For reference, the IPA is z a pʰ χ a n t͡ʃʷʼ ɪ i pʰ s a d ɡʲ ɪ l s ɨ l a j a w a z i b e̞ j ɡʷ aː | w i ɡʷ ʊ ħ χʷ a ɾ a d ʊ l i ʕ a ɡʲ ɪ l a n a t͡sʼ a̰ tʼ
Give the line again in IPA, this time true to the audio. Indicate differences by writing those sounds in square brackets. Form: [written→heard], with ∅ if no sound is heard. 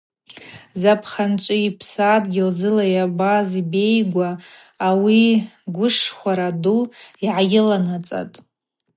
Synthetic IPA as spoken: z a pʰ χ a n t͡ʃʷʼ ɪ i pʰ s a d ɡʲ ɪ l [s→z] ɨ l a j a [w→b] a z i b e̞ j ɡʷ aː | w i ɡʷ ʊ [ħ→ʂ] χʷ a ɾ a d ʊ l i ʕ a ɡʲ ɪ l a n a t͡sʼ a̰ tʼ